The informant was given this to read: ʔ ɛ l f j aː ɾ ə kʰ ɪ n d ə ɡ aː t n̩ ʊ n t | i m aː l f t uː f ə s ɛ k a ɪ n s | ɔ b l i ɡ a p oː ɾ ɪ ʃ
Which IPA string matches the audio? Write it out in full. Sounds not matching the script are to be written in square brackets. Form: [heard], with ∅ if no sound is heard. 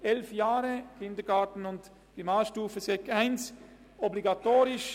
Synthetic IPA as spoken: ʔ ɛ l f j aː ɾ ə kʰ ɪ n d ə ɡ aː t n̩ ʊ n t | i m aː l [ʃ] t uː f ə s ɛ k a ɪ n s | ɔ b l i ɡ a [t] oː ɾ ɪ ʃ